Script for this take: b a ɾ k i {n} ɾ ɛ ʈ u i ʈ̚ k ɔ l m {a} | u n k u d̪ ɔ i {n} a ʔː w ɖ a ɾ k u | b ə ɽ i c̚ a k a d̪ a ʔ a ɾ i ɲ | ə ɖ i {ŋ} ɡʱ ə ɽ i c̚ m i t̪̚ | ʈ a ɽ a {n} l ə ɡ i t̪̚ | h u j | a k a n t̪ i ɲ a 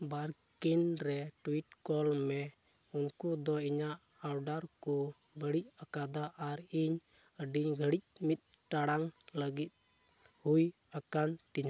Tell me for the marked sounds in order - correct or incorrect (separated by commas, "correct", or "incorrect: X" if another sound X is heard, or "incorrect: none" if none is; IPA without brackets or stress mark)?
correct, incorrect: ɛ, incorrect: ɲ, incorrect: ɲ, incorrect: ŋ